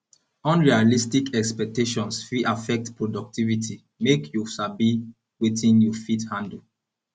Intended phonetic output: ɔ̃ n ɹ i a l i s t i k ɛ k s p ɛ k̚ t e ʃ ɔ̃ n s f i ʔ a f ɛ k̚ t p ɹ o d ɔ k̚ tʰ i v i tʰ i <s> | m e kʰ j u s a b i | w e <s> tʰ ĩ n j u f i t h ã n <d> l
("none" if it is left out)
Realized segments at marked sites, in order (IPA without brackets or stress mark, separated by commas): none, none, d